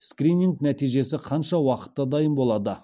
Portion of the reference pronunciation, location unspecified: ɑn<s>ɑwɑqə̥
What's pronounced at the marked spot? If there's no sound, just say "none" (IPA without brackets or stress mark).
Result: ʃ